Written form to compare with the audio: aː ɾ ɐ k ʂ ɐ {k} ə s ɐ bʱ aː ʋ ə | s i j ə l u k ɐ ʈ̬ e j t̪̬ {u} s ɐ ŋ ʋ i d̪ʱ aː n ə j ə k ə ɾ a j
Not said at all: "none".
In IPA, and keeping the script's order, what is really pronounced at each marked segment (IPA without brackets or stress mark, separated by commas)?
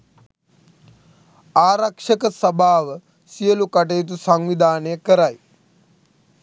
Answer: k, u